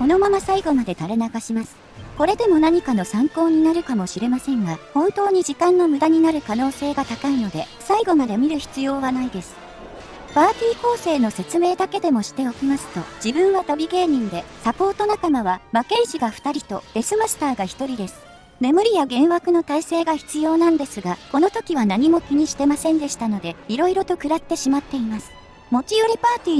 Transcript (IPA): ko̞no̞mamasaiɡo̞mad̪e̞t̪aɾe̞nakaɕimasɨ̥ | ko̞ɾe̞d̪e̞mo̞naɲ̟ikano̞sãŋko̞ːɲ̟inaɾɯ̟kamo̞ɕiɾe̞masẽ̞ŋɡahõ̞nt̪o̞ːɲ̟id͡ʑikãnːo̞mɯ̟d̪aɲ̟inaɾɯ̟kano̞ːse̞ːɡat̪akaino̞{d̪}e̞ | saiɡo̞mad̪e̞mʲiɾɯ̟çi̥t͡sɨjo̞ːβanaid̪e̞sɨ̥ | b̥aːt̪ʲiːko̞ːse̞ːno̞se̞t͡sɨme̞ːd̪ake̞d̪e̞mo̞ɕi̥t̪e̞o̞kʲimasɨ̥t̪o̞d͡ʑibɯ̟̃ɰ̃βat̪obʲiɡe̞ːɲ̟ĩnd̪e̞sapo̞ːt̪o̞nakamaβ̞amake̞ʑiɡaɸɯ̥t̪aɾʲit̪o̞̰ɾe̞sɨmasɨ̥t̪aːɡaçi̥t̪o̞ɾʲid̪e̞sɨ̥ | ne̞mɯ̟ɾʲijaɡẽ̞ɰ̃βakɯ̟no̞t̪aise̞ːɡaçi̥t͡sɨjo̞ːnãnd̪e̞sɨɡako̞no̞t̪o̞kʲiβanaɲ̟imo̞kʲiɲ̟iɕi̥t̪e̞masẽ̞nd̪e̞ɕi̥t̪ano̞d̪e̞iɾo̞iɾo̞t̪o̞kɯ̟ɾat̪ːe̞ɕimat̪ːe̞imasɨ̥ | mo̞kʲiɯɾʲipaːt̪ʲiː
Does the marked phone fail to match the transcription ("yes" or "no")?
no